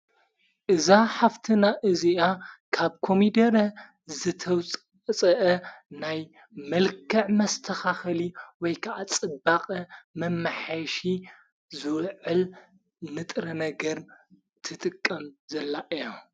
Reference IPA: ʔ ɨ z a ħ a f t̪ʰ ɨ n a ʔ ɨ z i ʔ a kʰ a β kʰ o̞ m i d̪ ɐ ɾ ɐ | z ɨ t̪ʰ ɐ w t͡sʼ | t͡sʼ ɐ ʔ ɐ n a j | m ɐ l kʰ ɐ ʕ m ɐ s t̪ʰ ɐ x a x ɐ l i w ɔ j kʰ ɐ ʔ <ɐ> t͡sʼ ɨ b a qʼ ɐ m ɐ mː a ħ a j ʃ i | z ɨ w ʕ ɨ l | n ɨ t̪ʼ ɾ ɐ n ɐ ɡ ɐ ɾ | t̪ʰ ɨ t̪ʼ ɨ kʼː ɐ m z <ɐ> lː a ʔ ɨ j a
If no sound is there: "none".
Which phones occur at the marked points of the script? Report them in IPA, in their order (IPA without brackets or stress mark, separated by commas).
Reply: a, ɐ